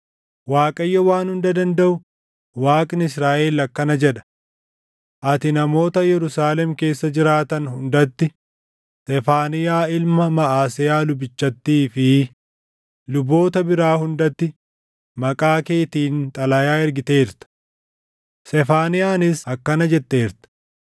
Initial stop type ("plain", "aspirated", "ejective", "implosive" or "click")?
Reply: ejective